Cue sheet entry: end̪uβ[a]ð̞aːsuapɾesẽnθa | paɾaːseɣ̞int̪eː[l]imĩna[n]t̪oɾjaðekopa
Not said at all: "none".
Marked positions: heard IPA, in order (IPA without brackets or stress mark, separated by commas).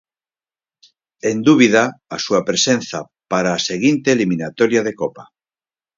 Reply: i, l, none